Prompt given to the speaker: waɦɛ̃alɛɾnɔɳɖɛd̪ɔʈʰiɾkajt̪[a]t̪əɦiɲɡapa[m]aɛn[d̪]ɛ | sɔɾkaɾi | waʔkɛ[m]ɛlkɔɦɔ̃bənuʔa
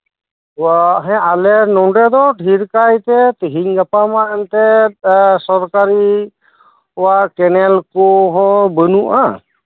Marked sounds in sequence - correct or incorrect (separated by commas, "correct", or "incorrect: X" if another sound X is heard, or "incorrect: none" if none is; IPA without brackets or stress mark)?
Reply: incorrect: ɛ, correct, incorrect: t̪, incorrect: n